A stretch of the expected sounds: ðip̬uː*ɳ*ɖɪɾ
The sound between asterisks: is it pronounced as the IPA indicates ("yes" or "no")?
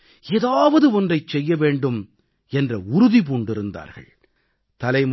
yes